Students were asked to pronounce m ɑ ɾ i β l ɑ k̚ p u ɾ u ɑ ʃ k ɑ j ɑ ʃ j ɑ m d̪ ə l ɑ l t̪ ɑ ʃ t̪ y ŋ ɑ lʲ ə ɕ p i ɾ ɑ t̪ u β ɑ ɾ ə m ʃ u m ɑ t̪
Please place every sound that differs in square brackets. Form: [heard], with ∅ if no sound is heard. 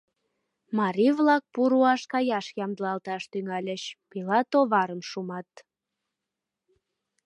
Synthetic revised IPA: m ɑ ɾ i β l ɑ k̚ p u ɾ u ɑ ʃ k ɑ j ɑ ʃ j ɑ m d̪ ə l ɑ l t̪ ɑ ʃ t̪ y ŋ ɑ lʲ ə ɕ p i [l] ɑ t̪ [o] β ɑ ɾ ə m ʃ u m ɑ t̪